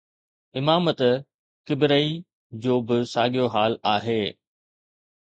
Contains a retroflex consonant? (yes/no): no